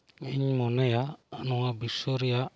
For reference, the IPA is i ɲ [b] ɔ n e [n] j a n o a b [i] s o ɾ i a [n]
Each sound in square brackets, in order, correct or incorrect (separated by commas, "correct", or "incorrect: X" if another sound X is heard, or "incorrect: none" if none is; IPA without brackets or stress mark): incorrect: m, incorrect: none, correct, incorrect: none